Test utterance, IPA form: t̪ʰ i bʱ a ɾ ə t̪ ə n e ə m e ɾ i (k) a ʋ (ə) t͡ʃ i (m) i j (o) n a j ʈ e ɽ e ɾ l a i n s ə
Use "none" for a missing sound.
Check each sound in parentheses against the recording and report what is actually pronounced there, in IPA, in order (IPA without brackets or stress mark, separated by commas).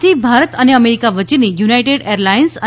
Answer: k, ə, n, u